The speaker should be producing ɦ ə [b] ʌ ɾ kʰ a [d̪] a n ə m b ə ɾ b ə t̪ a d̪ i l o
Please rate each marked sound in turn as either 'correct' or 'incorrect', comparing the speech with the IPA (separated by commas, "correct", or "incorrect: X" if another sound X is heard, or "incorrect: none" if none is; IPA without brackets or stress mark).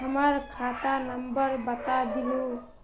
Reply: incorrect: m, incorrect: t̪